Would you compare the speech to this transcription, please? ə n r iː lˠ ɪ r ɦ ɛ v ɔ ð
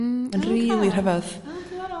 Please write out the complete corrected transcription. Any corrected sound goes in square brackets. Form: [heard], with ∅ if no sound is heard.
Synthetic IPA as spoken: ə n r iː lˠ [i] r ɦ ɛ v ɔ ð

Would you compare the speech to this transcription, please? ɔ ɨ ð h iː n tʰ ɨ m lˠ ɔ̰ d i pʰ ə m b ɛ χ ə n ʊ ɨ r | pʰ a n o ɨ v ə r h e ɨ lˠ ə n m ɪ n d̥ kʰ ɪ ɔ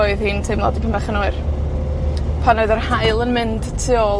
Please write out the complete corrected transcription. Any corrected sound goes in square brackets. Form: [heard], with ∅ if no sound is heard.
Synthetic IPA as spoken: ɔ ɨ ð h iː n tʰ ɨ m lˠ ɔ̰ d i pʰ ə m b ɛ χ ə n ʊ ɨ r | pʰ a n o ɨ [ð] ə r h [a] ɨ lˠ ə n m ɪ n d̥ [tʰ] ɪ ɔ

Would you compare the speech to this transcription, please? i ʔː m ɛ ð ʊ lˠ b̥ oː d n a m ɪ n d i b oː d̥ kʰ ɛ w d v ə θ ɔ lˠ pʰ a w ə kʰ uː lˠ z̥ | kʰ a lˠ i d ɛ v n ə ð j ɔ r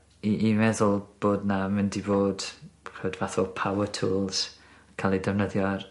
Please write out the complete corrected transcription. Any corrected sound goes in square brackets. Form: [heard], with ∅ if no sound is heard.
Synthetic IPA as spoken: i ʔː m ɛ ð ʊ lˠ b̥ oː d n a m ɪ n d i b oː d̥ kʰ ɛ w d v [a] θ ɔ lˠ pʰ a w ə [tʰ] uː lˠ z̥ | kʰ a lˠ i d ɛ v n ə ð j ɔ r

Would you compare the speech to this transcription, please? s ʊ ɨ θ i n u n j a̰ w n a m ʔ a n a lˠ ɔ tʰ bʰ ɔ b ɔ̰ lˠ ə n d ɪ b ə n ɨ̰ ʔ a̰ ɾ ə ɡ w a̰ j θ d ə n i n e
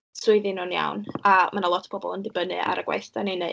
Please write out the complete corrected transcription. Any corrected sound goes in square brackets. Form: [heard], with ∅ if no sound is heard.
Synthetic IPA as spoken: s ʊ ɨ [ð] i n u n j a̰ w n a m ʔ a n a lˠ ɔ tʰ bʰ ɔ b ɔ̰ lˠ ə n d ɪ b ə n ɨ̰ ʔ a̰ ɾ ə ɡ w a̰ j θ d [a] n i n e

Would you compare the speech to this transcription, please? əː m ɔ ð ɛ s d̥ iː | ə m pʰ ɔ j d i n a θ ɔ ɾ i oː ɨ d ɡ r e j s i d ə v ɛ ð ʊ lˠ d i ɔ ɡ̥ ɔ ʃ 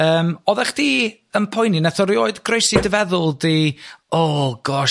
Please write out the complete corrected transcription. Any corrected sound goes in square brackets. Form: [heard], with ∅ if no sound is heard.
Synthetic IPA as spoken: əː m ɔ ð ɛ [χ] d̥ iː | ə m pʰ ɔ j [n] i n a θ ɔ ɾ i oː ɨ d ɡ r e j s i d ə v ɛ ð ʊ lˠ d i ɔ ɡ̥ ɔ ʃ

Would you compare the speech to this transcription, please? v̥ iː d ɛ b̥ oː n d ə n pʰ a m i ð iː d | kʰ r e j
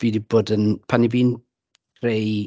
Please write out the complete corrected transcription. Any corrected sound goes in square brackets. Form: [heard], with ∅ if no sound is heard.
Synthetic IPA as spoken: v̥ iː d [i] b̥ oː [∅] d ə n pʰ a [n] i [v] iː [n] | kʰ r e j

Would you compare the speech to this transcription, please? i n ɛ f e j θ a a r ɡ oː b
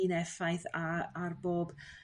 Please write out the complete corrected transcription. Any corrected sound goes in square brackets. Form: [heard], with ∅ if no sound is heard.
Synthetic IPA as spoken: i n ɛ f [a] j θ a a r [b] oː b

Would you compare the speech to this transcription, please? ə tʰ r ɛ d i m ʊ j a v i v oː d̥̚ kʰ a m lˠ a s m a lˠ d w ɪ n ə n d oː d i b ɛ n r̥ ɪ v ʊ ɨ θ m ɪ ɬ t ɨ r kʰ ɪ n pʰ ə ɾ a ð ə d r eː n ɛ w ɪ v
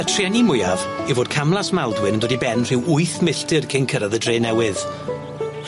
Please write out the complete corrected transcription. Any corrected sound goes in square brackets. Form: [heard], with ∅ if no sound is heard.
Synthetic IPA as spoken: ə tʰ r ɛ [n] i m ʊ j a v i v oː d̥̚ kʰ a m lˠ a s m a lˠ d w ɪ n ə n d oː d i b ɛ n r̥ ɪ [w] ʊ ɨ θ m ɪ ɬ t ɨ r kʰ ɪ n [kʰ] ə ɾ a ð ə d r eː n ɛ w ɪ [ð]

